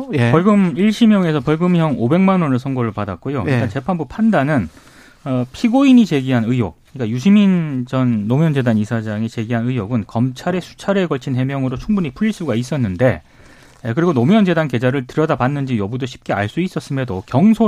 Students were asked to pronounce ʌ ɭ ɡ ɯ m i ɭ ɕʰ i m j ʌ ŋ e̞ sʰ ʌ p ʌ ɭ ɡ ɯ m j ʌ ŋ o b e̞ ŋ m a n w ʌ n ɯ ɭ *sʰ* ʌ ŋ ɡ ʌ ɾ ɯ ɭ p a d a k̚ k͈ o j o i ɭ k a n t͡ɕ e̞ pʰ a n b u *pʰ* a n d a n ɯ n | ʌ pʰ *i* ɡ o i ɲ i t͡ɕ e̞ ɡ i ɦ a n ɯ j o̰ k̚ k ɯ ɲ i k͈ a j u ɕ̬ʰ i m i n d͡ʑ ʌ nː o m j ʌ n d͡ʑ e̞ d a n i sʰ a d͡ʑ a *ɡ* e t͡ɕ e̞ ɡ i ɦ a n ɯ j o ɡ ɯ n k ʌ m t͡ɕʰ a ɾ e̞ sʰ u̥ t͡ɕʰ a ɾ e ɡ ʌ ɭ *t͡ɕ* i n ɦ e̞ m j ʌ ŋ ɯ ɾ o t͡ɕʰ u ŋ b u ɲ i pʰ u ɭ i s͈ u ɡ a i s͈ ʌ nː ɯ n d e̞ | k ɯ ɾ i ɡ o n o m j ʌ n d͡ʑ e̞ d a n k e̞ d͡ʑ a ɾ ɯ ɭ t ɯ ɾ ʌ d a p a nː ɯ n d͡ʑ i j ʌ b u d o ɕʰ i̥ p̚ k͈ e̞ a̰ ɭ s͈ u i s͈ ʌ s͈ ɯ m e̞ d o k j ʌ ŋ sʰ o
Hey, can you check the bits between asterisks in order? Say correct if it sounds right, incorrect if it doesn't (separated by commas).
correct, correct, correct, incorrect, incorrect